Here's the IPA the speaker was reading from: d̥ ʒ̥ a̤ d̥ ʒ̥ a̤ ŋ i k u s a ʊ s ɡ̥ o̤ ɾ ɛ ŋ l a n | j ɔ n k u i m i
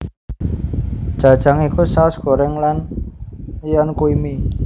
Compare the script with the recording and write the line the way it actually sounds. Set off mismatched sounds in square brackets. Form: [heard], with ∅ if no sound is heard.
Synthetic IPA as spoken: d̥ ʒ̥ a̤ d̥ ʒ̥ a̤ ŋ i k u s a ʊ s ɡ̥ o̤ ɾ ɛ ŋ l a n | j ɔ n k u i m i